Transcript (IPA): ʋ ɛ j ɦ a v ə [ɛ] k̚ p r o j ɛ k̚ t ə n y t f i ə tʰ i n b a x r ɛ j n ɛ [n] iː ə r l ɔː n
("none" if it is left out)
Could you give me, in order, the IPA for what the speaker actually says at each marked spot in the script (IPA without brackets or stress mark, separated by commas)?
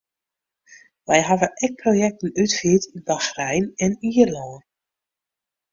ɛ, n